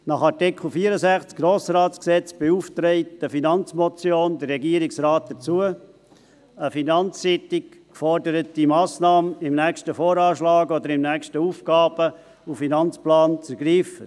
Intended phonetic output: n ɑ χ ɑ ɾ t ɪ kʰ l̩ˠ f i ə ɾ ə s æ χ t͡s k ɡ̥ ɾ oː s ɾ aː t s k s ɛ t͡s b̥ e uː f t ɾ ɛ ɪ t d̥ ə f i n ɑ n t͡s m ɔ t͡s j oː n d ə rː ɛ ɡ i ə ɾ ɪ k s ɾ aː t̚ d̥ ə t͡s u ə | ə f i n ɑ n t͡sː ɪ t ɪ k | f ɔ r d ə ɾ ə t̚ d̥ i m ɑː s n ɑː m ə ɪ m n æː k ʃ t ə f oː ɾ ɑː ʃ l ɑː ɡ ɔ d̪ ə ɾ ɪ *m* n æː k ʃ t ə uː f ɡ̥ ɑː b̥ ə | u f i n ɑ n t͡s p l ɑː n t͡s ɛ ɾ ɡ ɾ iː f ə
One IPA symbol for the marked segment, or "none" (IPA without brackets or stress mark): m